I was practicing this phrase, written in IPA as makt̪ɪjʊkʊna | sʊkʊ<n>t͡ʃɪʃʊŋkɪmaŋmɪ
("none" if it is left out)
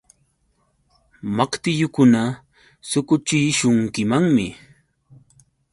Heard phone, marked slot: none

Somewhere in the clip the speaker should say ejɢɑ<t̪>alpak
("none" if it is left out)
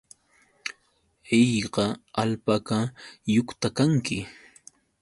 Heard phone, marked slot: none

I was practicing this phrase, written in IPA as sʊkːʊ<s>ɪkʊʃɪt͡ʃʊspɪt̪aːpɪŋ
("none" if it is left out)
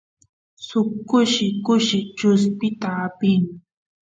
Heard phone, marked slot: ʃ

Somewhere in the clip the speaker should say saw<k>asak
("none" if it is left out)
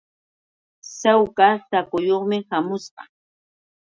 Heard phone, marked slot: k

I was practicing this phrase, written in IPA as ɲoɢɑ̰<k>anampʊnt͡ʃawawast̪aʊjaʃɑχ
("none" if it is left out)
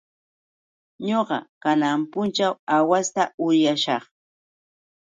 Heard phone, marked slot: k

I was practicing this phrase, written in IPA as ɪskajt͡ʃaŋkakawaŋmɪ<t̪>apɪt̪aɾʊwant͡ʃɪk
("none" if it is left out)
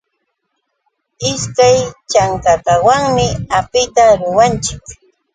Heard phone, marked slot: none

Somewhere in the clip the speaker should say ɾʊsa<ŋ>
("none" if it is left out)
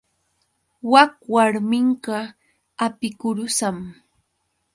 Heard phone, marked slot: m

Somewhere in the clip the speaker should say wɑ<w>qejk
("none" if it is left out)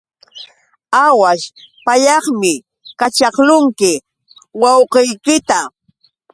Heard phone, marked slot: w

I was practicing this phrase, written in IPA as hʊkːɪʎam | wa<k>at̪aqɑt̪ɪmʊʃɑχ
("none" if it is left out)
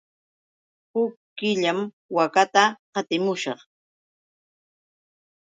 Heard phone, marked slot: k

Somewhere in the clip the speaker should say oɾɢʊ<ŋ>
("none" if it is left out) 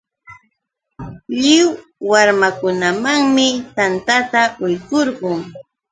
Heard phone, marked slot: ŋ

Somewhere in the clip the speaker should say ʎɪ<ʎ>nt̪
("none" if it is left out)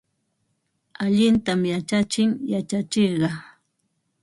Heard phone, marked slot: none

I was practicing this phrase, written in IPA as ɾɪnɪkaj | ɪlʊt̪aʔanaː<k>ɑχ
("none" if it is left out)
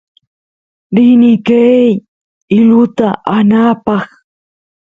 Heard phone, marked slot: p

